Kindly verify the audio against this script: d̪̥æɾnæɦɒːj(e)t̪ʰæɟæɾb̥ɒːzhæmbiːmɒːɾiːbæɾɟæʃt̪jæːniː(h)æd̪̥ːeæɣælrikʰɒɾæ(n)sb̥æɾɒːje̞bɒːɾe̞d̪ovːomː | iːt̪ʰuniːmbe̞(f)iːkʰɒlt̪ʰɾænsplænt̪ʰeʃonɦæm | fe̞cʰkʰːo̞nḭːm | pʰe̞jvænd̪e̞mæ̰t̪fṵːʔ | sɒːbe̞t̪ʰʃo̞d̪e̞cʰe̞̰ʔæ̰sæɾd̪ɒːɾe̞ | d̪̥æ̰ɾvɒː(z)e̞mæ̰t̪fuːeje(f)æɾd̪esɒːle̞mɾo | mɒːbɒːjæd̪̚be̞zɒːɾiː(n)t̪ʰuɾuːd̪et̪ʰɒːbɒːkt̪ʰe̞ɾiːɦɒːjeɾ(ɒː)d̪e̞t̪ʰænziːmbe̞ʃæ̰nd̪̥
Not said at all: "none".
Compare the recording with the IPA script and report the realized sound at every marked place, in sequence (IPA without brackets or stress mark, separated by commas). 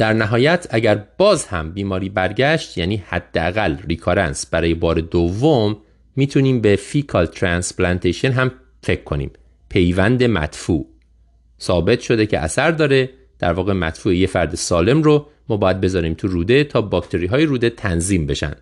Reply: æ, h, n, f, ɣ, f, m, uː